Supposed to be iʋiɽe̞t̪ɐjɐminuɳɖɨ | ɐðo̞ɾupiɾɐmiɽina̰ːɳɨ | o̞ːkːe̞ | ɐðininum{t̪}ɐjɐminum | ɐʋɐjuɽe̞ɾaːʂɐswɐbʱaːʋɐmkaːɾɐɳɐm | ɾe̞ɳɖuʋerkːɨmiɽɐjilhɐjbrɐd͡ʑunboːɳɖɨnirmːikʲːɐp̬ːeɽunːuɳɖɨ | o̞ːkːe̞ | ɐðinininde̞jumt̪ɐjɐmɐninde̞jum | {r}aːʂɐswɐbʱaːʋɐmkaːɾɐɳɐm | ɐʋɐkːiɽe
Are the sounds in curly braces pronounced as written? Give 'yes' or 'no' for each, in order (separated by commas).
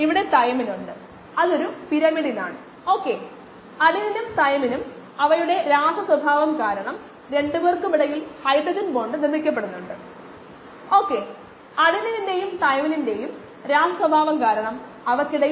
yes, no